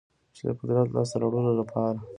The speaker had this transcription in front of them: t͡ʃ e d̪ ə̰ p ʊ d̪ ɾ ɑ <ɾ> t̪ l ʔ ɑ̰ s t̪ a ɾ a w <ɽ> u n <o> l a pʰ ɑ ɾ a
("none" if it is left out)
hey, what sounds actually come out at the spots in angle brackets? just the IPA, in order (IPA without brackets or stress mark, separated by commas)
none, ɽ, o